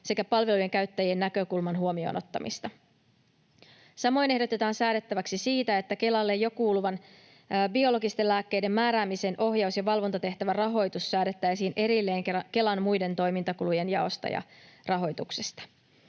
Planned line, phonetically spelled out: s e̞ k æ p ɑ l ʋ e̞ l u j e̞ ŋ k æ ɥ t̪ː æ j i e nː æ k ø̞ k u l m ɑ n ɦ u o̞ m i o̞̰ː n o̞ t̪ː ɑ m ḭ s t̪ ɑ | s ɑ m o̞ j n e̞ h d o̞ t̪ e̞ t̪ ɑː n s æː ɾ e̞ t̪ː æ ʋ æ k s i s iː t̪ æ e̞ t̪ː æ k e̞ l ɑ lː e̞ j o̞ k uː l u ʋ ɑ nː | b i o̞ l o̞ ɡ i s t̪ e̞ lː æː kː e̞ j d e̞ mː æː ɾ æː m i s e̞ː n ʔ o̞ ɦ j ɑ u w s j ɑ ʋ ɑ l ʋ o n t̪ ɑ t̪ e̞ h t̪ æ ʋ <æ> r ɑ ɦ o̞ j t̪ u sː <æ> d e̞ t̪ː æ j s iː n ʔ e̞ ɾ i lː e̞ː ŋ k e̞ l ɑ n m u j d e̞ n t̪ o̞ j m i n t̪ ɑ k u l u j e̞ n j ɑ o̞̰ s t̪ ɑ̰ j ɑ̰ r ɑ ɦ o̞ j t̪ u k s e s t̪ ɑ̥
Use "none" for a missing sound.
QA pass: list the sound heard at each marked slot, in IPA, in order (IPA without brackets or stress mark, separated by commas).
æ, æː